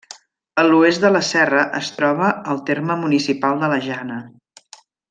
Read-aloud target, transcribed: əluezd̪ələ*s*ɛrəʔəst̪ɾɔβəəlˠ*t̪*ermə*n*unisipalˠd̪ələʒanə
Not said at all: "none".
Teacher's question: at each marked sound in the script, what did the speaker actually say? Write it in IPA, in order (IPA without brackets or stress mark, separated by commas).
s, t̪, m